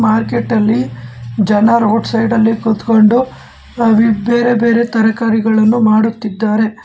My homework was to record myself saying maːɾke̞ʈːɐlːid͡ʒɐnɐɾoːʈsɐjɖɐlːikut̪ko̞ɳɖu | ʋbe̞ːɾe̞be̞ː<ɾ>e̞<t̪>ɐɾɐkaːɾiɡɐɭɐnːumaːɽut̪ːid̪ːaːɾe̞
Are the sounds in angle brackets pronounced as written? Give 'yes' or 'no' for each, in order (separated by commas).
yes, yes